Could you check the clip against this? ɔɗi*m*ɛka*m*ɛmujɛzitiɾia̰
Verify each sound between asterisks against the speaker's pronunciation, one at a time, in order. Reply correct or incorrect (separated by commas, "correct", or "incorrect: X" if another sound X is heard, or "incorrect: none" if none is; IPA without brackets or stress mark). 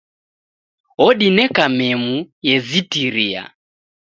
incorrect: n, correct